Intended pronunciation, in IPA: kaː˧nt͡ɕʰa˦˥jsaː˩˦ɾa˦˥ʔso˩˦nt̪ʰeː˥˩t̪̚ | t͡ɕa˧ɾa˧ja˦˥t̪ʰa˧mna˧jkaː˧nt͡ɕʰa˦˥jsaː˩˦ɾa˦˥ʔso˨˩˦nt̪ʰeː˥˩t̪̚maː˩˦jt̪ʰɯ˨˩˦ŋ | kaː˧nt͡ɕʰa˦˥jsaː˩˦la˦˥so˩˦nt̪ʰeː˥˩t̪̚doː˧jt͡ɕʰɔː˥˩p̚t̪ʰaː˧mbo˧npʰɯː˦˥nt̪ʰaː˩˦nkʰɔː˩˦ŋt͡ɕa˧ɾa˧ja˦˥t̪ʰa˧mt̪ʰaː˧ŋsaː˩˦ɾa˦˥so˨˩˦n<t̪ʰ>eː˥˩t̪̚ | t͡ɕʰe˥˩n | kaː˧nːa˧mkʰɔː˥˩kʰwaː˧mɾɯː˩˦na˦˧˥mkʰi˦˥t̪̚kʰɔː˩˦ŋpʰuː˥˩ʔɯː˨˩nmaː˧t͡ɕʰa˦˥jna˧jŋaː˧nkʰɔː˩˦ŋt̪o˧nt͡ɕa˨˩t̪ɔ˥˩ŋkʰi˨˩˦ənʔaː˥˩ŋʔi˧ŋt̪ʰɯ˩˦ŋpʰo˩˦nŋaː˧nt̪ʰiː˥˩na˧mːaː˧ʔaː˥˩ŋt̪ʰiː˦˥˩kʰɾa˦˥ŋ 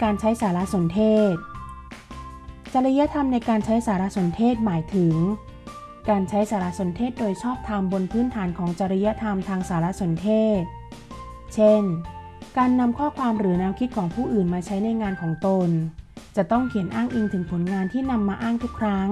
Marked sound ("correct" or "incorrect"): correct